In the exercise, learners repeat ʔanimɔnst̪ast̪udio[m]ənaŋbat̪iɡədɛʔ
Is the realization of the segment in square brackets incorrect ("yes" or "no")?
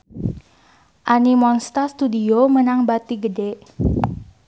no